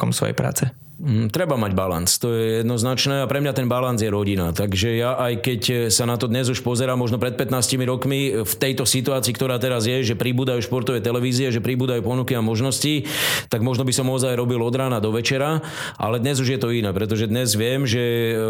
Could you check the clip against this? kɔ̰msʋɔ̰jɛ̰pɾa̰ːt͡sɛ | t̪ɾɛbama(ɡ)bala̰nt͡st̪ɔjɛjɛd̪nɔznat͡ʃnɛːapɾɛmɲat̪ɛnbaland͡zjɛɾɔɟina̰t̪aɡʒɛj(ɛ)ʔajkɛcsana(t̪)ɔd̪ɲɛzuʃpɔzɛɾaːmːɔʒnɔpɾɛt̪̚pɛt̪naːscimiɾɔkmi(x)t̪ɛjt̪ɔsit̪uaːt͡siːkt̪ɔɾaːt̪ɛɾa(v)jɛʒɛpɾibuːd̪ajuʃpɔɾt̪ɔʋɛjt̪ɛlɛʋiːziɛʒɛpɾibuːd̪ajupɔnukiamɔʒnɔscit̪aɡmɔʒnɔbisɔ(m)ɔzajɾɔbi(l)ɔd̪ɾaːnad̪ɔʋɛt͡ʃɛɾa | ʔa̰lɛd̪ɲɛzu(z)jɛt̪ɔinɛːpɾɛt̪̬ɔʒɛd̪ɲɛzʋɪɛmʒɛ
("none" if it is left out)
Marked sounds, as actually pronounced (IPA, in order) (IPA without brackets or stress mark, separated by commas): ɟ, a, t̪, f, z, m, l, ʒ